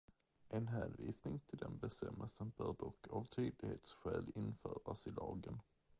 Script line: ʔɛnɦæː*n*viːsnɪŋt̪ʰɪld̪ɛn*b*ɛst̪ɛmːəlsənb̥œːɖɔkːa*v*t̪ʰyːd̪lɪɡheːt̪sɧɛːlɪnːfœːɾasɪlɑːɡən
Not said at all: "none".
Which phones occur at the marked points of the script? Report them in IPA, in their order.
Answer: n, b, v

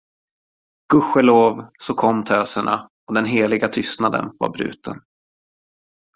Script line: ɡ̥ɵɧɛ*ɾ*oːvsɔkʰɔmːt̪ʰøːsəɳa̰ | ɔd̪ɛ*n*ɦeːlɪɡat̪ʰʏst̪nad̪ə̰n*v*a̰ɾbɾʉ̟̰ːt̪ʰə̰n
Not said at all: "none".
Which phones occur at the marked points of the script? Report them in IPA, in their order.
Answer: l, n, v

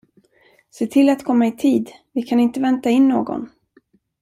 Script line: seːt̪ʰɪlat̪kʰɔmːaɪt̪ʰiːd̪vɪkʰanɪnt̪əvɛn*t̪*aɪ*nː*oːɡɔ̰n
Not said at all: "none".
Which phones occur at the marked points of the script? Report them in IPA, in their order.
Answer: t̪, nː

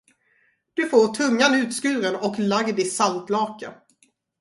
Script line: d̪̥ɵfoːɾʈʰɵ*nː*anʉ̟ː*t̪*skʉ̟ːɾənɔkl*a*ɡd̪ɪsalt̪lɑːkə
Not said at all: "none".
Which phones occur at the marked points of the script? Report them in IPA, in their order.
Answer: ŋː, t̪, a

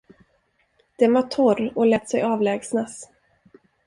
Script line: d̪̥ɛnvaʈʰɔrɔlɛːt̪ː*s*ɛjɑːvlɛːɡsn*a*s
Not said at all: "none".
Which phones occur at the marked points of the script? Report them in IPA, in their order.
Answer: s, a

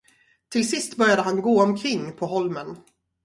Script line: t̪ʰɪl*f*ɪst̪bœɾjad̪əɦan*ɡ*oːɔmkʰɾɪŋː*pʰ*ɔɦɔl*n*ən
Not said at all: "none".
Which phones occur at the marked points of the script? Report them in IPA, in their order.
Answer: s, ɡ, pʰ, m

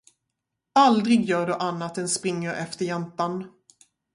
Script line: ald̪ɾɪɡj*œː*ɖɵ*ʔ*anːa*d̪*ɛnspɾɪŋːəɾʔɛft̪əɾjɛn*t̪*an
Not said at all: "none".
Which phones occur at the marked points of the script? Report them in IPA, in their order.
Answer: œː, ʔ, t̪, t̪

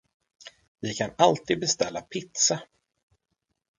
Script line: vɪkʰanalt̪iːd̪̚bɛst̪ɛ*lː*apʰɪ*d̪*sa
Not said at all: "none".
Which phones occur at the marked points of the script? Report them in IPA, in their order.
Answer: lː, t̪

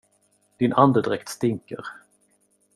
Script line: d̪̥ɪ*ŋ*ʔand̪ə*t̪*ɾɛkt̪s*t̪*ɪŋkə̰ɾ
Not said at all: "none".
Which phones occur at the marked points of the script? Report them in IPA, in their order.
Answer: n, d̪, t̪

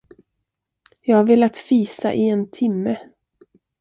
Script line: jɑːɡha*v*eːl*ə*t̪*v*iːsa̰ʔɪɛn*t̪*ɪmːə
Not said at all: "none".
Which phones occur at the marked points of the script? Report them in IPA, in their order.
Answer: v, a, f, t̪ʰ

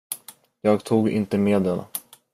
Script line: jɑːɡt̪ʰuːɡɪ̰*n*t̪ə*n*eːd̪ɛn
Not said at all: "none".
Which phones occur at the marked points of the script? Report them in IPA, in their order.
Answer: n, m

